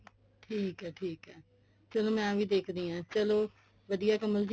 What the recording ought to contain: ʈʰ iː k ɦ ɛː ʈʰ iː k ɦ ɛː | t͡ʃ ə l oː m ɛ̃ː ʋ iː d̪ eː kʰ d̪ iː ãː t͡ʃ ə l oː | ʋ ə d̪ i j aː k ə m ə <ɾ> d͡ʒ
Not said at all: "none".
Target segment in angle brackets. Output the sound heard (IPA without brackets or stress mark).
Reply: l